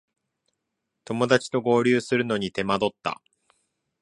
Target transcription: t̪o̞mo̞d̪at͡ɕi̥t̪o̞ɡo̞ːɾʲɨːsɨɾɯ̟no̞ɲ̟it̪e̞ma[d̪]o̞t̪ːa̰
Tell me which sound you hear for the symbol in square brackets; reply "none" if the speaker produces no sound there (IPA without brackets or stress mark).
d̪